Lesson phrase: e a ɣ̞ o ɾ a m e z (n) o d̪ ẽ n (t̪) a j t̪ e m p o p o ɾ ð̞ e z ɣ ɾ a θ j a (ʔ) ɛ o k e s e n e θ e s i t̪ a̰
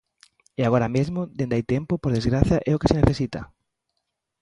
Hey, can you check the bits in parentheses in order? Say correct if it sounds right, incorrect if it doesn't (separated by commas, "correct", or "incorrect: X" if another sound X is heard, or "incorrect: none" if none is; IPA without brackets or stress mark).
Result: incorrect: m, incorrect: d̪, correct